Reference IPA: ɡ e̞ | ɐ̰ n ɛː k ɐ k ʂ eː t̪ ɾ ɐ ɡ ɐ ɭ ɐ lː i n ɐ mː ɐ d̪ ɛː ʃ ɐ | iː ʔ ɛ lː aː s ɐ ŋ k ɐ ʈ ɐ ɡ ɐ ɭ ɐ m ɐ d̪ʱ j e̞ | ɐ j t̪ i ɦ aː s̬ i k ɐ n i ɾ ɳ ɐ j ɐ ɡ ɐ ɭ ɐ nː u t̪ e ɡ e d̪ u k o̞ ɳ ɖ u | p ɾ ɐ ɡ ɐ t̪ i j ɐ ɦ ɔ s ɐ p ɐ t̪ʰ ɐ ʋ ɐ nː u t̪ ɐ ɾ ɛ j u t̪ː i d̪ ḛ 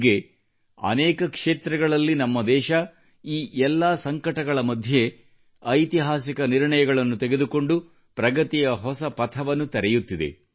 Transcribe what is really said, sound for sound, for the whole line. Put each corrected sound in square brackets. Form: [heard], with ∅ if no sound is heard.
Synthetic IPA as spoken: ɡ e̞ | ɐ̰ n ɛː k ɐ k ʂ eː t̪ ɾ ɐ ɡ ɐ ɭ ɐ lː i n ɐ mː ɐ d̪ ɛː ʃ ɐ | iː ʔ ɛ lː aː s ɐ ŋ k ɐ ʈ ɐ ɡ ɐ ɭ ɐ m ɐ d̪ʱ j e̞ | ɐ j t̪ i ɦ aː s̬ i k ɐ n i ɾ ɳ ɐ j ɐ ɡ ɐ ɭ ɐ nː u t̪ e ɡ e d̪ u k o̞ ɳ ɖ u | p ɾ ɐ ɡ ɐ t̪ i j ɐ ɦ ɔ s ɐ p ɐ t̪ʰ ɐ ʋ ɐ nː u t̪ ɐ ɾ ɛ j u t̪ː i d̪ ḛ